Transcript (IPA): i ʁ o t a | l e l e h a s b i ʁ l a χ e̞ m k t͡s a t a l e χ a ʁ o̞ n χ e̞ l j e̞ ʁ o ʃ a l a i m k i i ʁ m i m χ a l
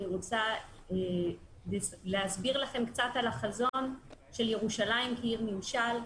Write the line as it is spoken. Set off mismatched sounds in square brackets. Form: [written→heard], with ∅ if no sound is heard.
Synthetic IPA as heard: i ʁ o [t→t͡s] a | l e l e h a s b i ʁ l a χ e̞ m k t͡s a t a l [e→a] χ a [ʁ→z] o̞ n [χ→ʃ] e̞ l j e̞ ʁ [o→u] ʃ a l a i m k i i ʁ m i m [χ→ʃ] a l